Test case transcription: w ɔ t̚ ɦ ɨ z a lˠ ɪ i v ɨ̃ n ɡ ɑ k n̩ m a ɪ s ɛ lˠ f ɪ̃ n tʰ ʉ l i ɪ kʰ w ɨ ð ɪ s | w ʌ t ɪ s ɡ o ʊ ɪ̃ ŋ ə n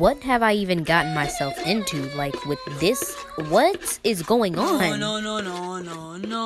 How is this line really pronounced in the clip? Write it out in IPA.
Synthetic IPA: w ʌ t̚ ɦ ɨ v a ɪ i v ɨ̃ n ɡ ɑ ʔ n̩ m a ɪ s ɛ lˠ f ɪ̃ n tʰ ʉ l a ɪ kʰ w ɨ ð ɪ s | w ʌ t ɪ z ɡ o ʊ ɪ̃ ŋ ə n